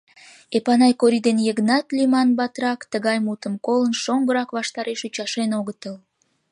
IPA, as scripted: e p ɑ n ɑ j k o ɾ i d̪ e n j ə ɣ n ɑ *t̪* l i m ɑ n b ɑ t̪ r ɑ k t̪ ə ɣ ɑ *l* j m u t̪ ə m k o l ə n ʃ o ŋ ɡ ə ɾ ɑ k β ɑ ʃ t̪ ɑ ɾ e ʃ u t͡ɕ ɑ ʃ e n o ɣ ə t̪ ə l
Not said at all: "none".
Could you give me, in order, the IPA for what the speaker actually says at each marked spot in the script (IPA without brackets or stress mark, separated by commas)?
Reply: t̪, none